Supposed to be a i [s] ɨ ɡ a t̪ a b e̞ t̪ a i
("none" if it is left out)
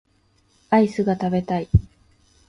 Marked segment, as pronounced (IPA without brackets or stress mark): s